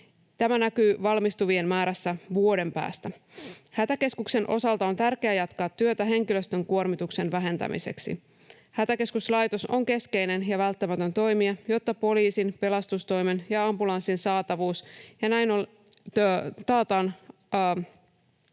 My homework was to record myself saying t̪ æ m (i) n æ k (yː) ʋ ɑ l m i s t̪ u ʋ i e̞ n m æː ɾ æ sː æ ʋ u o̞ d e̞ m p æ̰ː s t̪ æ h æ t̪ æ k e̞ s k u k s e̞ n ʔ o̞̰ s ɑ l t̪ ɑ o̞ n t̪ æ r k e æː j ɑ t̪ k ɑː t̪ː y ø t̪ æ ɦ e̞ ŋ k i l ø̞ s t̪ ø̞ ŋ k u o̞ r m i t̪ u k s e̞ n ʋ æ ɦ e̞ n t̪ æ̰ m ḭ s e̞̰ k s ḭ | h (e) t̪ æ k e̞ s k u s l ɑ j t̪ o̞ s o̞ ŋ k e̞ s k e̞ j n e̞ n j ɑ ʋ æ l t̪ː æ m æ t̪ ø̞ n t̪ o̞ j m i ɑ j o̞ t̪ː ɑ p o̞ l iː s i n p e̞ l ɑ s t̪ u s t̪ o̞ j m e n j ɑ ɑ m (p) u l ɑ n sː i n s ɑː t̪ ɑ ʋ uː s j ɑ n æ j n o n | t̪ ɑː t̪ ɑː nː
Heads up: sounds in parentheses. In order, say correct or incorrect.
incorrect, correct, incorrect, incorrect

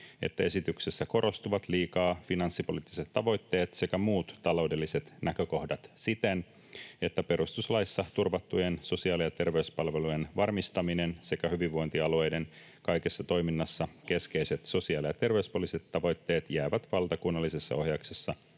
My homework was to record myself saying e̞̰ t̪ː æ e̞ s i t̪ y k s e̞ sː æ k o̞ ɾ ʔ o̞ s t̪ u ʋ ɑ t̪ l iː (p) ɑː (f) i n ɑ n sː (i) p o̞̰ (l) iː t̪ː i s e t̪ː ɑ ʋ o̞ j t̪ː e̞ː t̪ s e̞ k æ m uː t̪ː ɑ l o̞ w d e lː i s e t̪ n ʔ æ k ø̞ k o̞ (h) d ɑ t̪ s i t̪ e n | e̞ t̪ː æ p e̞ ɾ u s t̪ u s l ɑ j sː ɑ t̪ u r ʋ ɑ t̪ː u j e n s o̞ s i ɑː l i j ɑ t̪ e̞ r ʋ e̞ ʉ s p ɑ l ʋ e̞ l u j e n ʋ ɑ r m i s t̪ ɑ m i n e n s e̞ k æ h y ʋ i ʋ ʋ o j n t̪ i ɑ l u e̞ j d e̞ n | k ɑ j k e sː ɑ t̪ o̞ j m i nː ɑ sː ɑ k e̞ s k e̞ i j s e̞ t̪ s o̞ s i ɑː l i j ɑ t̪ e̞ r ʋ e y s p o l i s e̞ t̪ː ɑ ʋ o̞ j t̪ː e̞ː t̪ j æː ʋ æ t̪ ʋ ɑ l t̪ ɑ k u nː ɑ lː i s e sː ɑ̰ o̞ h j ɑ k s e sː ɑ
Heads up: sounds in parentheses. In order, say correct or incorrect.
incorrect, correct, correct, correct, correct

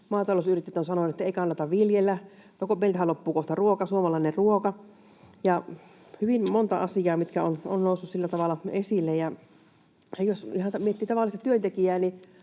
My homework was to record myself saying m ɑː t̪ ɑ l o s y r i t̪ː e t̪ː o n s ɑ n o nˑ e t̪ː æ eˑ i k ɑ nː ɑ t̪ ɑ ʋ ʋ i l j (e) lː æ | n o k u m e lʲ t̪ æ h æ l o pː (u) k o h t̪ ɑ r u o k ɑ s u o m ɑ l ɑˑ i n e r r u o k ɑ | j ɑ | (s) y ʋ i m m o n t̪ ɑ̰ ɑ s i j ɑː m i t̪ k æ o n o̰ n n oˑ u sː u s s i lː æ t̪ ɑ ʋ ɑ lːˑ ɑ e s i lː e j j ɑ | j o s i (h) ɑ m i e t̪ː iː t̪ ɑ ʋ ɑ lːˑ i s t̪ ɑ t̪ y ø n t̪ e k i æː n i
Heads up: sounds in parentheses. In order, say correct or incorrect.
correct, incorrect, incorrect, correct

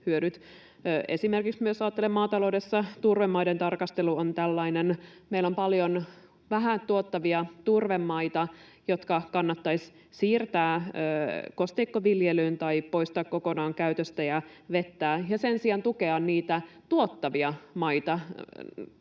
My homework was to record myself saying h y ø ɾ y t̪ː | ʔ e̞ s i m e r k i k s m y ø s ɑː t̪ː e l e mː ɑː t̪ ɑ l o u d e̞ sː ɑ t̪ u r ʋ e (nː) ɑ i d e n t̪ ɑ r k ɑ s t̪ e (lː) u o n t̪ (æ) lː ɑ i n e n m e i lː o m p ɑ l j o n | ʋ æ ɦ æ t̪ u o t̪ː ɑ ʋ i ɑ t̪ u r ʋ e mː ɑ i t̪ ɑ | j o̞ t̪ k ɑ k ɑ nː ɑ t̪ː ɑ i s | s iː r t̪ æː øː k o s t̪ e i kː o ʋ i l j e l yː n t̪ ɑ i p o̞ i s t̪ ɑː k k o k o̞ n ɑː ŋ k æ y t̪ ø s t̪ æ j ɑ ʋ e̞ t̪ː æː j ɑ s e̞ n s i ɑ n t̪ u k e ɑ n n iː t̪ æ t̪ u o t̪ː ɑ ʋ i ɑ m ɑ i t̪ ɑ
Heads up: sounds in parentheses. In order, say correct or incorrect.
incorrect, incorrect, correct

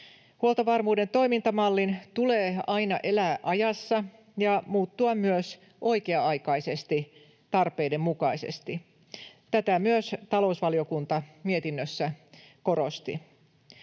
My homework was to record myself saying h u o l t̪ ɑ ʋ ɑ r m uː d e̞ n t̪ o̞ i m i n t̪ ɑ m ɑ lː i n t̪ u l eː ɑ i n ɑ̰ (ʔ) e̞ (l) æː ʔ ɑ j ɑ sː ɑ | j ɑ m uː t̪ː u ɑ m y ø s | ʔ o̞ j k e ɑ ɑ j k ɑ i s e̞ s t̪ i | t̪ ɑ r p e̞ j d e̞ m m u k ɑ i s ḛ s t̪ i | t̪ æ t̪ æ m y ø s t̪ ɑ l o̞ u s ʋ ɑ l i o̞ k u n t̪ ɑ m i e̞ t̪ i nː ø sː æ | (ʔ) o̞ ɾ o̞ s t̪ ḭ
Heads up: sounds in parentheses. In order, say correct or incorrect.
correct, correct, incorrect

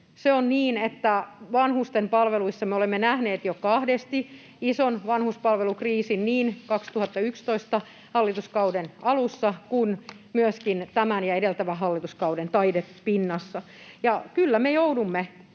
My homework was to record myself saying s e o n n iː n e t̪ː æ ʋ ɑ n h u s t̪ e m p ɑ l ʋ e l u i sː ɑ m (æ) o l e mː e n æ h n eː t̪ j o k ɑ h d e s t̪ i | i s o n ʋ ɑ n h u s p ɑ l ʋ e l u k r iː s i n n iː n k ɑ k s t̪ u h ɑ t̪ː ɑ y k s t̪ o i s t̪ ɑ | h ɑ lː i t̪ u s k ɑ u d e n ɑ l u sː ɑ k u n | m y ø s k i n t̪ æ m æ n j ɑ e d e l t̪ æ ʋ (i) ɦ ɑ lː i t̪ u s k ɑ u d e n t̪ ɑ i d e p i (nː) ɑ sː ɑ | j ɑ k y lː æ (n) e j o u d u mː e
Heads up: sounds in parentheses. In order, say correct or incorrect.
incorrect, incorrect, correct, incorrect

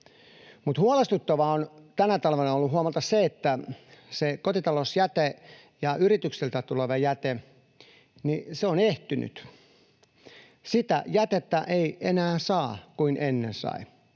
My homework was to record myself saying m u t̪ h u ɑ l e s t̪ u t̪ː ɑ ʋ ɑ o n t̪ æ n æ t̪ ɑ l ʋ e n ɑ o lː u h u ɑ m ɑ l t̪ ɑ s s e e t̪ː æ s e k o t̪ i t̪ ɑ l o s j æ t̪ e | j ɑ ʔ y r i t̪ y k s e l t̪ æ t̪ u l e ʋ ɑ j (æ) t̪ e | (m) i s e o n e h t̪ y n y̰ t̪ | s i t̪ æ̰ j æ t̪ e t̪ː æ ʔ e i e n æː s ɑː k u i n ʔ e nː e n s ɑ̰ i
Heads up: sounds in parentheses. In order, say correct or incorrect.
correct, incorrect

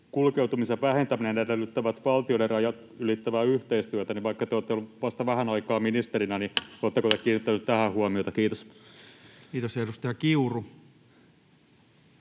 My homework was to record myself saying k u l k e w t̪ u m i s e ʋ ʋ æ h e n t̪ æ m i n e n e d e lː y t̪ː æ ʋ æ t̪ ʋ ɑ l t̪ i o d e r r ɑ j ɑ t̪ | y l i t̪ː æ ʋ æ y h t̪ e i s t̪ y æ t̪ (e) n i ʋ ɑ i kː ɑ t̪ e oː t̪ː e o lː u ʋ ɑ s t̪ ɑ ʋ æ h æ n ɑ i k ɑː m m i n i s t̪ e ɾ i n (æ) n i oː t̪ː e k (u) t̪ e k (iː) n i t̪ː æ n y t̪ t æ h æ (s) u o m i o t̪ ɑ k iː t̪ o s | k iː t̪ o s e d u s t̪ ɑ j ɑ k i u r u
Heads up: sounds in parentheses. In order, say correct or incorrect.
incorrect, correct, incorrect, correct, incorrect

